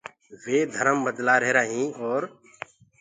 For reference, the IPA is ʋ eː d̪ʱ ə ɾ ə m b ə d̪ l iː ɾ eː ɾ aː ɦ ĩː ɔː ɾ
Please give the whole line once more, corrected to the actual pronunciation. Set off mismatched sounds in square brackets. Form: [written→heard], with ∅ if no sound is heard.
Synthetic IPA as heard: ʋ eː d̪ʱ ə ɾ ə m b ə d̪ l [iː→aː] ɾ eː ɾ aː ɦ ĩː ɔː ɾ